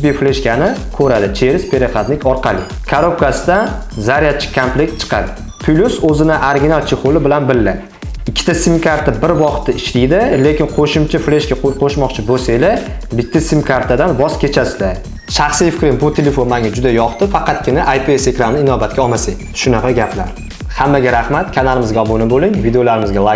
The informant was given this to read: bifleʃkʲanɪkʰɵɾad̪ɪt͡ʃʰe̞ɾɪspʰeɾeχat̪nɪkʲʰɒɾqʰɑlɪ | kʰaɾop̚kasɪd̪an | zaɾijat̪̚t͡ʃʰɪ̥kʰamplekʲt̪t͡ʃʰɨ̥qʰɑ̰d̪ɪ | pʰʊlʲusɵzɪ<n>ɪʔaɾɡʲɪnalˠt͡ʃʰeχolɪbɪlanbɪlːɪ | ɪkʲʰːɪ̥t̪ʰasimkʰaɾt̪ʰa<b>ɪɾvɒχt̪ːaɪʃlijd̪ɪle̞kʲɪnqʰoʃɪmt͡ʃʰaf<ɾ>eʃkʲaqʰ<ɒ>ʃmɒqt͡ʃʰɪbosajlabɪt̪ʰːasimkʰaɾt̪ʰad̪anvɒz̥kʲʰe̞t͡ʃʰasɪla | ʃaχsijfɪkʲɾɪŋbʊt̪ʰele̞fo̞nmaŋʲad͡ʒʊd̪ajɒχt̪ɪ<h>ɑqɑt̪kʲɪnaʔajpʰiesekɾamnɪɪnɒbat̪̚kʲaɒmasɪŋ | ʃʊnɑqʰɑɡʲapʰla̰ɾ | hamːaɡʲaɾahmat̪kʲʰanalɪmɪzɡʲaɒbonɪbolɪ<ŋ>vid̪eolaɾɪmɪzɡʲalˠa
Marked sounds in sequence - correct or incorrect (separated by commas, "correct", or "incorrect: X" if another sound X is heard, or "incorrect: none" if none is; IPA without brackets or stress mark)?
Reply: correct, correct, incorrect: l, incorrect: o, incorrect: f, correct